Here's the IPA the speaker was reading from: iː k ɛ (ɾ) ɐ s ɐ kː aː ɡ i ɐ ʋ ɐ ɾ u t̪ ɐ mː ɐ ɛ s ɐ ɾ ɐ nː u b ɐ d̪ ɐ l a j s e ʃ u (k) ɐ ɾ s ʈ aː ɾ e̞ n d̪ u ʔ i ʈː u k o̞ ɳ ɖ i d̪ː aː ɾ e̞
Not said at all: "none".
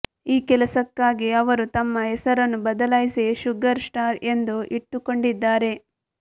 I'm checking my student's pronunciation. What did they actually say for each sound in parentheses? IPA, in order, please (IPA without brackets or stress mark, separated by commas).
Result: l, ɡ